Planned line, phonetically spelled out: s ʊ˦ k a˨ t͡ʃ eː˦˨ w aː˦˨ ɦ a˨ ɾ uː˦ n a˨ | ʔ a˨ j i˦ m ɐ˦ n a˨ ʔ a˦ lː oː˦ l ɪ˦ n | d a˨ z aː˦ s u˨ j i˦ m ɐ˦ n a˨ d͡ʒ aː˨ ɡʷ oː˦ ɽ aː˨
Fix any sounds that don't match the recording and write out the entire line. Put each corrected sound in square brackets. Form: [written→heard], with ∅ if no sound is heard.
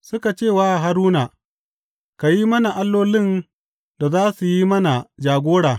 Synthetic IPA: s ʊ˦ k a˨ t͡ʃ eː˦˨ w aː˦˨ ɦ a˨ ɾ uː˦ n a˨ | [ʔ→k] a˨ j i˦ m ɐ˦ n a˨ ʔ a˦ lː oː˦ l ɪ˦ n | d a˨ z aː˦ s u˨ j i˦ m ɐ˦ n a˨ d͡ʒ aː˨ ɡʷ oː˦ ɽ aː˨